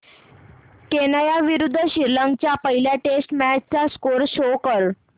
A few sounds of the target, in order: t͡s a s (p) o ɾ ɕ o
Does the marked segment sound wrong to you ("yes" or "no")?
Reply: yes